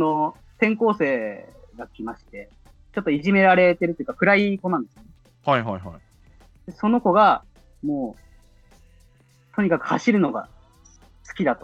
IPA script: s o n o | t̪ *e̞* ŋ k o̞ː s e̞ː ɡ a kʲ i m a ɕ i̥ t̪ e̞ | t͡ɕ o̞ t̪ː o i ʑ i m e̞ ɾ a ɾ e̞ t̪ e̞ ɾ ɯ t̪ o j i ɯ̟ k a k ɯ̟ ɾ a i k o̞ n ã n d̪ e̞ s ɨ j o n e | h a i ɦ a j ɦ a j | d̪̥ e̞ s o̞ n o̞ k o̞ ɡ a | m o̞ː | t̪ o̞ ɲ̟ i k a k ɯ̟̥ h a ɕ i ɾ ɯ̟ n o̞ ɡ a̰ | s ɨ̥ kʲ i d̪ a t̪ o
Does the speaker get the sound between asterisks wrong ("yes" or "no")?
yes